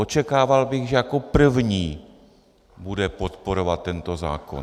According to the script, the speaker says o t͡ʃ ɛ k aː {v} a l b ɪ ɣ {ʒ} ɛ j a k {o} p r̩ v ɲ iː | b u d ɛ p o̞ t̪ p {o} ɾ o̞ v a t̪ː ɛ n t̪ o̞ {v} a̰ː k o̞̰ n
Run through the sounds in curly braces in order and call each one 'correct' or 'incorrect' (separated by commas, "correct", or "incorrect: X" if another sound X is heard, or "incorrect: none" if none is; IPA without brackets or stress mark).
correct, correct, correct, correct, incorrect: z